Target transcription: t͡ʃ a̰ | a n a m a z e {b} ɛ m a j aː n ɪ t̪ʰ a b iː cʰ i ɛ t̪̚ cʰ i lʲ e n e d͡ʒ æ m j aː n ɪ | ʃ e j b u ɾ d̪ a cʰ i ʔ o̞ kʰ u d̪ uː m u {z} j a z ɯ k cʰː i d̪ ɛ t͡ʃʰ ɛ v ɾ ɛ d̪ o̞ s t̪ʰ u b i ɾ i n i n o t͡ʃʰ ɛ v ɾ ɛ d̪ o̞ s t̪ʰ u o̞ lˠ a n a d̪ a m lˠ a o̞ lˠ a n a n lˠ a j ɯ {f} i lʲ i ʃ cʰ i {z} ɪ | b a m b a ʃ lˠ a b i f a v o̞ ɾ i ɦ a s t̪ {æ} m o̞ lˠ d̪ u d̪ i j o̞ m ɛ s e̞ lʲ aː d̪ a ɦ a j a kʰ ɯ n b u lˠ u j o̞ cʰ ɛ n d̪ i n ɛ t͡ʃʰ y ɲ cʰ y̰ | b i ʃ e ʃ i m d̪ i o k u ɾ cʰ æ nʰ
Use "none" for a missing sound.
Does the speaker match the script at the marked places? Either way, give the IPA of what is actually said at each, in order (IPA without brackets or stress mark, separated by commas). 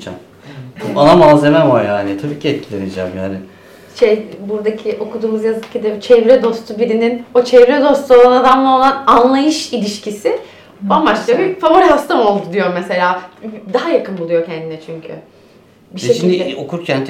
m, z, ʃ, s, a